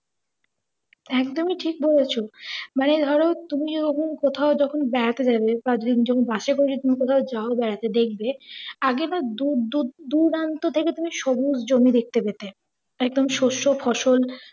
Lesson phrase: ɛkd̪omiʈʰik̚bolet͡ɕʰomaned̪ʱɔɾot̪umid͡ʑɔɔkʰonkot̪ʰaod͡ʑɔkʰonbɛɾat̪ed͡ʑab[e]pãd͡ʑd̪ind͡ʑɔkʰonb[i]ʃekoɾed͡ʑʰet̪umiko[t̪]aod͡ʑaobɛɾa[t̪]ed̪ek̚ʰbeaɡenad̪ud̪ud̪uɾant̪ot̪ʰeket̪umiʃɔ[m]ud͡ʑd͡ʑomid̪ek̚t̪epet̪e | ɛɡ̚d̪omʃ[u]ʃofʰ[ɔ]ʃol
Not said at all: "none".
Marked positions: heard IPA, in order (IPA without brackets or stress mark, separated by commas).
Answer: e, a, t̪ʰ, t̪, b, o, ɔ